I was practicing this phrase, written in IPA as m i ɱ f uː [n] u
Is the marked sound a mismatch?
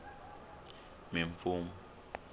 yes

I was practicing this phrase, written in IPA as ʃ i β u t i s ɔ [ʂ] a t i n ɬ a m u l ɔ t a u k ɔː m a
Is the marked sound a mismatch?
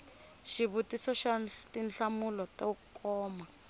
yes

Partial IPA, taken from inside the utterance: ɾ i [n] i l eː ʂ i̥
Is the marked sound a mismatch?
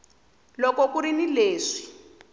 no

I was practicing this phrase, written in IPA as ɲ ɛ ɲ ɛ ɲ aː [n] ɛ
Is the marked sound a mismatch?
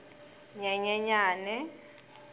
no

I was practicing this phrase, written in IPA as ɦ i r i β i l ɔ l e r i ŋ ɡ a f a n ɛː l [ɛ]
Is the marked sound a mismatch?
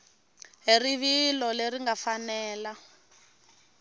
yes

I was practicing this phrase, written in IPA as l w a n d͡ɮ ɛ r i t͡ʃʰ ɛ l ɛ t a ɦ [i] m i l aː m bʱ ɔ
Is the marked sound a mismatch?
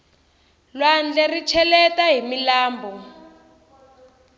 no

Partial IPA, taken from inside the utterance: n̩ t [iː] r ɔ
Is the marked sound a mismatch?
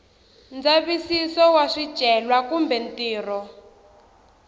no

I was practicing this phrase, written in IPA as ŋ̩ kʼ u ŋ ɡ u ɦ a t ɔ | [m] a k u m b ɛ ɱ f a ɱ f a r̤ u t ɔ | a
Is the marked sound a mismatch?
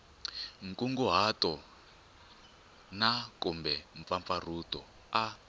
yes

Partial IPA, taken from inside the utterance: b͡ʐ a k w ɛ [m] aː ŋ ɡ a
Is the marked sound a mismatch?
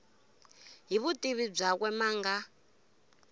no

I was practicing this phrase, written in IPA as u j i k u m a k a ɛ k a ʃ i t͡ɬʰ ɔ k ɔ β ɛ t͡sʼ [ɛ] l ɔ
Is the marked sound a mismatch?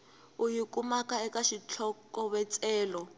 yes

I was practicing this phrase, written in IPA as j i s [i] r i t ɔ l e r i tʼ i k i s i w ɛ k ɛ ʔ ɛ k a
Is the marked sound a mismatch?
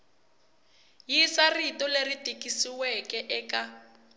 yes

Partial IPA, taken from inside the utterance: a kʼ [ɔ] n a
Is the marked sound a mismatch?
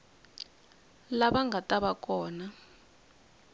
yes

